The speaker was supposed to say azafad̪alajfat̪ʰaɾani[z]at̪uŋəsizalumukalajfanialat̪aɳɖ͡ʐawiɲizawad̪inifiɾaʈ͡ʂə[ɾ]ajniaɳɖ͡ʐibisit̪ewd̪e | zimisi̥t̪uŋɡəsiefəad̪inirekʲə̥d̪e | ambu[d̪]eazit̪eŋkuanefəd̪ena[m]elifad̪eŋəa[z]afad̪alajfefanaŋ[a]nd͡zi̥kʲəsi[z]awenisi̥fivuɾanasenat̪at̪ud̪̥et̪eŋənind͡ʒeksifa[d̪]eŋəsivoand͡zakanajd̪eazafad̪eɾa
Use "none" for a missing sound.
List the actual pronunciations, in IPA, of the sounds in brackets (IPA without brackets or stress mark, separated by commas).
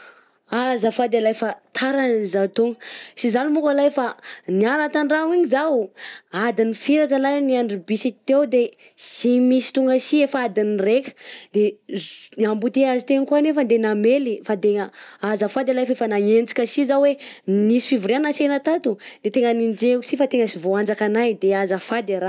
z, l, t̪, m, z, e, z, t̪